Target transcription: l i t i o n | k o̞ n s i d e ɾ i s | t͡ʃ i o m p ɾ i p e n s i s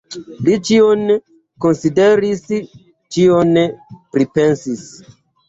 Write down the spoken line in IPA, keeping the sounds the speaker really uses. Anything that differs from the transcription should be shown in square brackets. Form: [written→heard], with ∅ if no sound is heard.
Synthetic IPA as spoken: l i [t→t͡ʃ] i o n | k o̞ n s i d e ɾ i s | t͡ʃ i o [m→n] p ɾ i p e n s i s